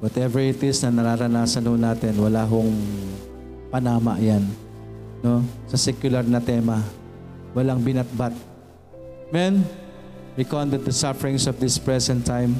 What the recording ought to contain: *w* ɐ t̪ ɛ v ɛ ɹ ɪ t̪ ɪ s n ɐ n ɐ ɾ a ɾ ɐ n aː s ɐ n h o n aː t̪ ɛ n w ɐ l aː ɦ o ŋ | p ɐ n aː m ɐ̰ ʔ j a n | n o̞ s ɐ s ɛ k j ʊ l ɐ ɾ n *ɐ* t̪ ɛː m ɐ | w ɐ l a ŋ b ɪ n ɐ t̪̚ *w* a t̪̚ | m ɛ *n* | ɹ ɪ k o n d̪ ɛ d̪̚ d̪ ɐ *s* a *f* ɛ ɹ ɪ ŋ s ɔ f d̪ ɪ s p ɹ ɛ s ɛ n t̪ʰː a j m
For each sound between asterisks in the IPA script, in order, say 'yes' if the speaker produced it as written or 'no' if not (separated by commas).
yes, yes, no, yes, yes, yes